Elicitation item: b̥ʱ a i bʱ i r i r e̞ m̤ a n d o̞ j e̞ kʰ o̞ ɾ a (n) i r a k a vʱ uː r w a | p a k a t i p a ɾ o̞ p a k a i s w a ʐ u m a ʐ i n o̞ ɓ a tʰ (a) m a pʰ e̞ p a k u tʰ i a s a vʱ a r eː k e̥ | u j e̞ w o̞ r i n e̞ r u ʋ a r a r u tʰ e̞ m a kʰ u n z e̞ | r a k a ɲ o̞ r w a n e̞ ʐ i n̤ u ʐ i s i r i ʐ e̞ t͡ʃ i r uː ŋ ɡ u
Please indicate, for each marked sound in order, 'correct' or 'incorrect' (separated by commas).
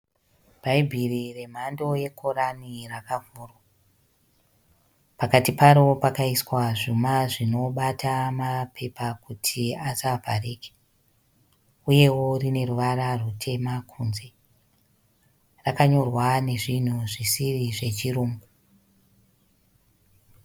correct, correct